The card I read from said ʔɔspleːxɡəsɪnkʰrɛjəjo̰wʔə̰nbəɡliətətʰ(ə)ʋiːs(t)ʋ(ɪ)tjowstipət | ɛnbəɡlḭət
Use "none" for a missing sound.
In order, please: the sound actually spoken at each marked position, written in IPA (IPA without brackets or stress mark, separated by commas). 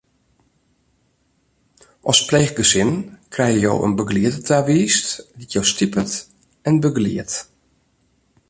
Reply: a, t, i